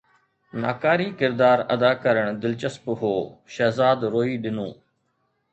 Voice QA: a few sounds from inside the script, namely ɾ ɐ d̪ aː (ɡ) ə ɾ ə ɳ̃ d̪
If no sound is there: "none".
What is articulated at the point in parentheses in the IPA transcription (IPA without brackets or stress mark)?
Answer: k